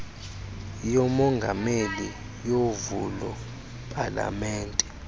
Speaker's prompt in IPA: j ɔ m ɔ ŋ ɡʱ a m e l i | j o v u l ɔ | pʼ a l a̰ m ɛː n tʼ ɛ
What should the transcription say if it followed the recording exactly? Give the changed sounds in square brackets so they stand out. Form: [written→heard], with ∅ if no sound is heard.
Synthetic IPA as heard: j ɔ m ɔ ŋ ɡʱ a m e l i | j o v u l ɔ | pʼ a l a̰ m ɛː n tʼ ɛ